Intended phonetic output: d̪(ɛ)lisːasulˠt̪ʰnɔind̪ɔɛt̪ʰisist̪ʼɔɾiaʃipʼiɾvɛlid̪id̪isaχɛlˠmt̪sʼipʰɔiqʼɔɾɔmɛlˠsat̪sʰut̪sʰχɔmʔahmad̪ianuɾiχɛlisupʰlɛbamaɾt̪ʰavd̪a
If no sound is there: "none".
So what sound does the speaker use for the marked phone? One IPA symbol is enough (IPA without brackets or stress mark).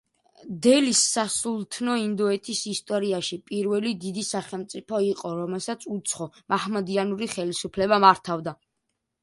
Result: ɛ